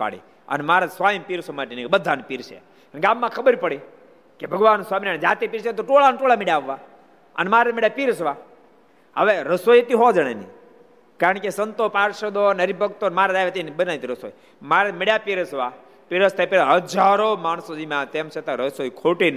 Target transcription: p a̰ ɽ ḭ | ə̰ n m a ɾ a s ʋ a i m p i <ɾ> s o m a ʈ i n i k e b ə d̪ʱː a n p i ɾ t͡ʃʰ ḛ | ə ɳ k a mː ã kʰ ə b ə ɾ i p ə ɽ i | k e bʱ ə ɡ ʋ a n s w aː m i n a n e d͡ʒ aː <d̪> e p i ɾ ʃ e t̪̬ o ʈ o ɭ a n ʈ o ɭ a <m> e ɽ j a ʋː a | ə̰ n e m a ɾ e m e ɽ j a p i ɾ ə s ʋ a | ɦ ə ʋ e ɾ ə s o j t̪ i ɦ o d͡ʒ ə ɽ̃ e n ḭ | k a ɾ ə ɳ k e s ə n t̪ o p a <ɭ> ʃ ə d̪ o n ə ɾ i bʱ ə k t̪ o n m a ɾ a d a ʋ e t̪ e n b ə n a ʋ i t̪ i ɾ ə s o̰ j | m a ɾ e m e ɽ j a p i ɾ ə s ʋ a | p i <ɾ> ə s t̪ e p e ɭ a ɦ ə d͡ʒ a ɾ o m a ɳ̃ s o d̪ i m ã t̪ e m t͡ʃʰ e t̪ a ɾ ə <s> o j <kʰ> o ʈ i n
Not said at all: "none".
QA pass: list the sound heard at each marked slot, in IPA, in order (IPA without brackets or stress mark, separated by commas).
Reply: ɾ, t̪, m, ɾ, ɾ, s, kʰ